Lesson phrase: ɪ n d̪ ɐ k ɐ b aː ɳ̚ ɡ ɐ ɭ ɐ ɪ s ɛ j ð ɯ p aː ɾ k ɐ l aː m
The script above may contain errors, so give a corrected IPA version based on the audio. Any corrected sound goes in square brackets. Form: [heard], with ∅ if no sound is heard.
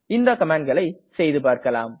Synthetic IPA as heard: ɪ n d̪ ɐ k ɐ [m] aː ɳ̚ ɡ ɐ ɭ ɐ ɪ s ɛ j ð ɯ p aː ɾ k ɐ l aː m